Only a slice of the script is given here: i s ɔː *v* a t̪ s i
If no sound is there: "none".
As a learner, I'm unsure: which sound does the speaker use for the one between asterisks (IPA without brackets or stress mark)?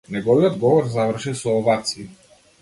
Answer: v